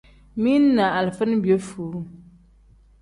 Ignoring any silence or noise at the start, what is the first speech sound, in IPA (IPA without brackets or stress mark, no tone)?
m